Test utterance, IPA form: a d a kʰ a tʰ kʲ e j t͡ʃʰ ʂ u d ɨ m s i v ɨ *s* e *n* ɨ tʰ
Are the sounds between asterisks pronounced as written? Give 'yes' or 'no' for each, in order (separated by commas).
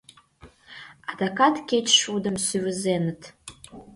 no, yes